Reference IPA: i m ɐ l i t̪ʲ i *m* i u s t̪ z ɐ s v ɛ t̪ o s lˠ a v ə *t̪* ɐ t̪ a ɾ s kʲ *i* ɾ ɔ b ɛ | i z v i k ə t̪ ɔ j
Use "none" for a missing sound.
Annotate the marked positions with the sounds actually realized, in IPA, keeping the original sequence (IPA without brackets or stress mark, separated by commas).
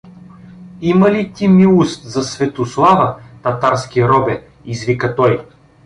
m, t̪, i